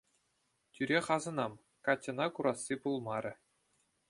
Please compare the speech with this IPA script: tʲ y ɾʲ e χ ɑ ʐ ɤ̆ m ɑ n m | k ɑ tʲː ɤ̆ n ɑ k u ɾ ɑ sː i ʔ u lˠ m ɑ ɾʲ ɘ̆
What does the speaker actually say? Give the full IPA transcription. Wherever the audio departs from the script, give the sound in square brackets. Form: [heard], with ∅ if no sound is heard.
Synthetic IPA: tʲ y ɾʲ e χ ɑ [z] ɤ̆ [n] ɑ [∅] m | k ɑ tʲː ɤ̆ n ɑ k u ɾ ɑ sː i [p] u lˠ m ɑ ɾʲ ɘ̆